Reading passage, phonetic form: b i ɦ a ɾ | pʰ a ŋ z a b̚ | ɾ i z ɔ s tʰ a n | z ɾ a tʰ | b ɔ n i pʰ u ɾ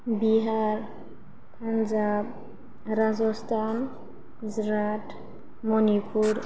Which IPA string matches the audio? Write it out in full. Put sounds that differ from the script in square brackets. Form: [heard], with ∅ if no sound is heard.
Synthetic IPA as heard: b i ɦ a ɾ | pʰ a [n] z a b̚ | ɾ [a] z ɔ s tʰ a n | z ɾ a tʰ | [m] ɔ n i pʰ u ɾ